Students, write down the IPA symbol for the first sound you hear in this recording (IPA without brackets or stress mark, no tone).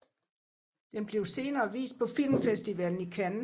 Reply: d̥